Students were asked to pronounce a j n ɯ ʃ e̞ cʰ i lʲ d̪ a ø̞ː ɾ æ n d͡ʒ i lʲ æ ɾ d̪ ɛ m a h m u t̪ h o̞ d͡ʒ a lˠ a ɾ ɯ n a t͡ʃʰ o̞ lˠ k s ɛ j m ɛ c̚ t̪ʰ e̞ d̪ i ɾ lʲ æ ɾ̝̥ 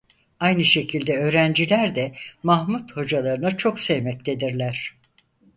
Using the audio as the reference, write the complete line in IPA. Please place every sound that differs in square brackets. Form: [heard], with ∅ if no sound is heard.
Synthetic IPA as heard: a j n ɯ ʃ e̞ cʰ i lʲ d̪ [ɛ] ø̞ː ɾ æ n d͡ʒ i lʲ æ ɾ d̪ ɛ m a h m u t̪ h o̞ d͡ʒ a lˠ a ɾ ɯ n a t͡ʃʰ o̞ [∅] k s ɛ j m ɛ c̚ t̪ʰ e̞ d̪ i ɾ lʲ æ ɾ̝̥